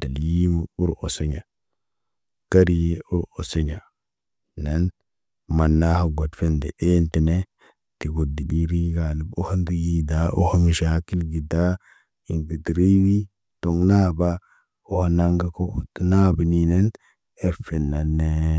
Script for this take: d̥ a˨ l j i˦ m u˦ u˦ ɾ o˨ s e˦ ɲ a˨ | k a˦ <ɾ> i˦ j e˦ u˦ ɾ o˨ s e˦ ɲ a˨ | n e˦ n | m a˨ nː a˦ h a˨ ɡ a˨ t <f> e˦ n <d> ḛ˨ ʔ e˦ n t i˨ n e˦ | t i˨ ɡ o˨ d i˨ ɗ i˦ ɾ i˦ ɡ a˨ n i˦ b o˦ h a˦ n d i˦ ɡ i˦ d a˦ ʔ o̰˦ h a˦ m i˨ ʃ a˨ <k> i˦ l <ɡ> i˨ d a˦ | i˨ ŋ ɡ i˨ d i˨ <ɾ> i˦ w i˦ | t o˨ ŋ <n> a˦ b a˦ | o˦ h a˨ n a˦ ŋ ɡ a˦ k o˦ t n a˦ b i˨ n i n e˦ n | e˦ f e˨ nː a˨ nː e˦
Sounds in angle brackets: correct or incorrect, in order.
correct, correct, correct, correct, correct, correct, correct

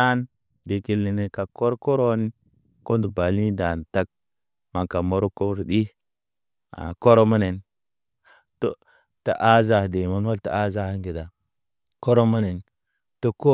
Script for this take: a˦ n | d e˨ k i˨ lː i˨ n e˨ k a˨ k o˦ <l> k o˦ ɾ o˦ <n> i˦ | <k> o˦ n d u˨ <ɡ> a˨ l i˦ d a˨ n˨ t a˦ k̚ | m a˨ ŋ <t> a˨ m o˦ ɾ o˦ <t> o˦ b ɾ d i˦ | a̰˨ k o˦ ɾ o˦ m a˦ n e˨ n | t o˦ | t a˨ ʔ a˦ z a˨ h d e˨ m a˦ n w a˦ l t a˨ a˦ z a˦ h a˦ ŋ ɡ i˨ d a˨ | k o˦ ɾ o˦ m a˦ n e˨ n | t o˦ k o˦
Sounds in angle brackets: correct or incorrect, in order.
incorrect: ɾ, correct, correct, incorrect: b, incorrect: k, incorrect: k

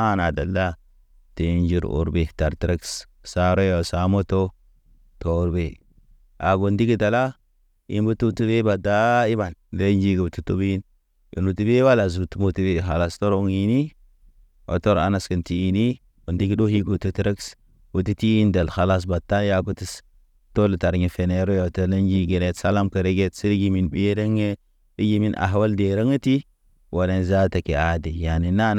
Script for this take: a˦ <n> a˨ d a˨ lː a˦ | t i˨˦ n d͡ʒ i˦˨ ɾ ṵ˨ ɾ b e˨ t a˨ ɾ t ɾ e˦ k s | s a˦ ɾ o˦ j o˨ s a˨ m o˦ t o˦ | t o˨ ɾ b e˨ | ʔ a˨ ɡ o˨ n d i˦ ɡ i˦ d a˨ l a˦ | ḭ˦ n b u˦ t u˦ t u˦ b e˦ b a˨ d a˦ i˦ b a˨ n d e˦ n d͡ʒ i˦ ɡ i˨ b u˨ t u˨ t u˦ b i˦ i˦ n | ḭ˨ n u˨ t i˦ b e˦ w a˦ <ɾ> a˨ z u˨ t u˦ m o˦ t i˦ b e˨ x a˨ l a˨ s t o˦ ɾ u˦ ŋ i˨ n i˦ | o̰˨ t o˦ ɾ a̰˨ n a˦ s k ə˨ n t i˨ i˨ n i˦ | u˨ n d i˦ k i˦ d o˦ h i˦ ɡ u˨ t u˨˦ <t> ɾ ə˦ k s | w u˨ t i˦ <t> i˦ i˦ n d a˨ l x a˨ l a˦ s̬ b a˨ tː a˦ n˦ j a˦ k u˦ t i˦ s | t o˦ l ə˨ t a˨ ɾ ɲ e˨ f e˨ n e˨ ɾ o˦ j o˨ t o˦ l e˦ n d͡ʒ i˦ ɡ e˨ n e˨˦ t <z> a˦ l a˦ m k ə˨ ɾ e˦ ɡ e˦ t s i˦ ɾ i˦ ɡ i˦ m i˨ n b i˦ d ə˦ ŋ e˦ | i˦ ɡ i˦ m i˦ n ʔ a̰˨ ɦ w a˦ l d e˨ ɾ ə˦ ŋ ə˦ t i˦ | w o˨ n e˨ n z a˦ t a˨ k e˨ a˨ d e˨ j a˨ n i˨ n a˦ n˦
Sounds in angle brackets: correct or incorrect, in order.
correct, incorrect: l, correct, correct, incorrect: s

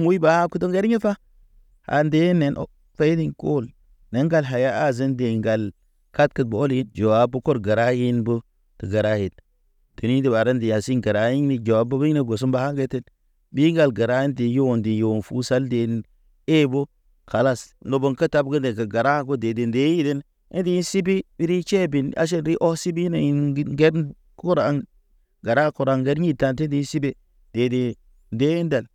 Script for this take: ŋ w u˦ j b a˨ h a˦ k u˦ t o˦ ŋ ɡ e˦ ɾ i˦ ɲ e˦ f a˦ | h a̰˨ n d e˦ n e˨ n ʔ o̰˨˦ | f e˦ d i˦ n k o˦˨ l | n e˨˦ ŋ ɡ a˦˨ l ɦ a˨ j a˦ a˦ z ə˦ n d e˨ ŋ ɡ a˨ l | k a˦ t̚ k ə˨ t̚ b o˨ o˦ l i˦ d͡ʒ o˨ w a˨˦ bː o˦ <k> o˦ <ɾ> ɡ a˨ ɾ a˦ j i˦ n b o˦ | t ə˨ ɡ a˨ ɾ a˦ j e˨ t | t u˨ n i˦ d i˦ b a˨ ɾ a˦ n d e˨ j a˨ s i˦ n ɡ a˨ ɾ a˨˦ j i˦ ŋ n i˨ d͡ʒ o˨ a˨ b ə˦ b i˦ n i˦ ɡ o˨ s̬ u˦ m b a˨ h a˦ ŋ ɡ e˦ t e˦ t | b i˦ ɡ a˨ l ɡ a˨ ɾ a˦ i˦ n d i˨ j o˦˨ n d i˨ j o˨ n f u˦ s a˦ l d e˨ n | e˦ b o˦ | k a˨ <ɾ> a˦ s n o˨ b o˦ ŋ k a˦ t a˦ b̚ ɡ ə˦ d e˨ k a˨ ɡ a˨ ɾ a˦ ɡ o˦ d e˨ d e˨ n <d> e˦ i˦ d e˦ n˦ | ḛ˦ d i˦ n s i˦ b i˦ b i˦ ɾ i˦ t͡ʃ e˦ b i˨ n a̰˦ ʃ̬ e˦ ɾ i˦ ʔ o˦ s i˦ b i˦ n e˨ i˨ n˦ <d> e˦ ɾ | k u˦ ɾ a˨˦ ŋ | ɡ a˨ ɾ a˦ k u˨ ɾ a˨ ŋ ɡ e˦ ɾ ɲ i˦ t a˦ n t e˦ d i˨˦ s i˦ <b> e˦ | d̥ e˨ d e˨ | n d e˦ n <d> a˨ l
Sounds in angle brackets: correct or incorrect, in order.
correct, correct, incorrect: l, correct, incorrect: ɡ, correct, correct

